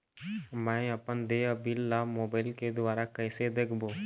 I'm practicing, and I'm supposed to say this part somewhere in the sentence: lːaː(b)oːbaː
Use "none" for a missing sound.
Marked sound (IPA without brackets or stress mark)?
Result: m